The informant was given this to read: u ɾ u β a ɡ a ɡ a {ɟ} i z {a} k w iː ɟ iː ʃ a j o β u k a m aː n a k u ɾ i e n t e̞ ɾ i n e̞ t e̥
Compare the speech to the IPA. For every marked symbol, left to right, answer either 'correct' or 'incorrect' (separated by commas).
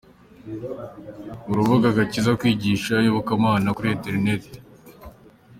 incorrect, correct